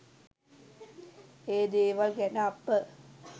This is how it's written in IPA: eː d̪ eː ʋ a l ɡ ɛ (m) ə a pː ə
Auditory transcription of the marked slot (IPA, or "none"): n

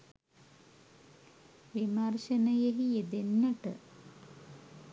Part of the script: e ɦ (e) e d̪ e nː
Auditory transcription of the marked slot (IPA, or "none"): i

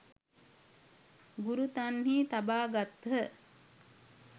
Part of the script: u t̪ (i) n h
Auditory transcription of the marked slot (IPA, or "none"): a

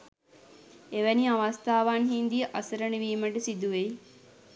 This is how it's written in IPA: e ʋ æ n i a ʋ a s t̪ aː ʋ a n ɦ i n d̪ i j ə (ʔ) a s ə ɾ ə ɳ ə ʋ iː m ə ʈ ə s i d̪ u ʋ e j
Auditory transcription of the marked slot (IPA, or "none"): ʔ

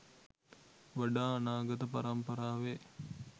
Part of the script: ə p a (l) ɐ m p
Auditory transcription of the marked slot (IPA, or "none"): ɾ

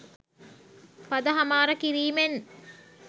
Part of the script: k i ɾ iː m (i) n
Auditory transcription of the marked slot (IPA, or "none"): e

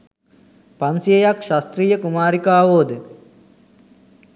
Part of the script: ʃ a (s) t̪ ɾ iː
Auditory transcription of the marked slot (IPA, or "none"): s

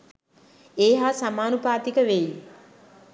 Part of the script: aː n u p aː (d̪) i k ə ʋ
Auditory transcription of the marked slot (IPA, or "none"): t̪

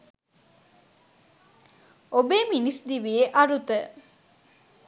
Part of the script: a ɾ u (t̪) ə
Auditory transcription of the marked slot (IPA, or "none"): t̪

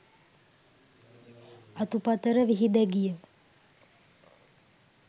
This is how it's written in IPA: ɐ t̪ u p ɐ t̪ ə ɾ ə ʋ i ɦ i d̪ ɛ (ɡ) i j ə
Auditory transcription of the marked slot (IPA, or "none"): ɡ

